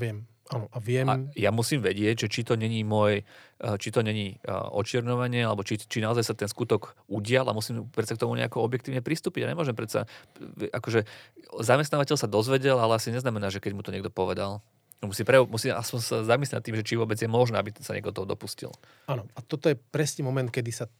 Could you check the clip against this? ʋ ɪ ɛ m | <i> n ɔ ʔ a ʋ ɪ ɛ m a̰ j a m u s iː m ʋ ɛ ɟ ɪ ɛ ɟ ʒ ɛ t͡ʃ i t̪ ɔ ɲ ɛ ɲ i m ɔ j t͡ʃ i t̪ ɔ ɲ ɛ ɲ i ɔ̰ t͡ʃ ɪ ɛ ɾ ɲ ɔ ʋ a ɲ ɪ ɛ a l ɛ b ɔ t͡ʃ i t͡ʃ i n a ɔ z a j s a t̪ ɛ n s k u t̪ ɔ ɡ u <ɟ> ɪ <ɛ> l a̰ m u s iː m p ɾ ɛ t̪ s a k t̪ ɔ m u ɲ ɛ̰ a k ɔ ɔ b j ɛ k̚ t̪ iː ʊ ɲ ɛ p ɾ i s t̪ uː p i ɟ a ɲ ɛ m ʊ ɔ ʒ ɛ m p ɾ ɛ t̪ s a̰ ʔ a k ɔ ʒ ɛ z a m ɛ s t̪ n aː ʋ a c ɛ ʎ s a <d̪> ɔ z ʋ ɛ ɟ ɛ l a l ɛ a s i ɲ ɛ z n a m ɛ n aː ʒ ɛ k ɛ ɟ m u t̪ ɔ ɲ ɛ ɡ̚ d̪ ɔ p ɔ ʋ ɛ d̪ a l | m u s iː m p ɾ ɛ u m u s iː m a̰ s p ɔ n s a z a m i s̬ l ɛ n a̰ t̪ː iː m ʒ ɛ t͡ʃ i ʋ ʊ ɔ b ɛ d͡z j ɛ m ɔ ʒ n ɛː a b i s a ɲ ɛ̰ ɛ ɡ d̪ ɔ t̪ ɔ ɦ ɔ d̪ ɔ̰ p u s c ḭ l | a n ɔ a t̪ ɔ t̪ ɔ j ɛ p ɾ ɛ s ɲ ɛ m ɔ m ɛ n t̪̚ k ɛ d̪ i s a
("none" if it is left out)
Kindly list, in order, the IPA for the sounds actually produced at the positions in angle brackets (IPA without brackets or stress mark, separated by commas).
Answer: a, ɟ, a, d̪